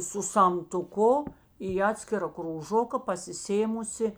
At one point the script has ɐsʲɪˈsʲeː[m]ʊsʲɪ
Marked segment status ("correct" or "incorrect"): correct